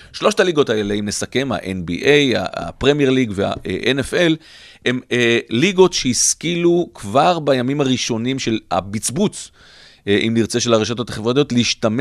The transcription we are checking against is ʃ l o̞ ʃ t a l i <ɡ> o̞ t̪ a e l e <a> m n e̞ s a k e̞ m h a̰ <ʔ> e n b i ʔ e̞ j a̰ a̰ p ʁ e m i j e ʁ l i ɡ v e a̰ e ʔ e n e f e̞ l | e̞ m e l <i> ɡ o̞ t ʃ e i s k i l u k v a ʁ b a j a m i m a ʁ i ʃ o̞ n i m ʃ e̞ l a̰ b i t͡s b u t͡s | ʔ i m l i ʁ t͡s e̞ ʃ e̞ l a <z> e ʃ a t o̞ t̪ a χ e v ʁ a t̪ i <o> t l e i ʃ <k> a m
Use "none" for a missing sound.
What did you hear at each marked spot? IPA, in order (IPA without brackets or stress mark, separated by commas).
ɡ, i, ʔ, i, ʁ, o, t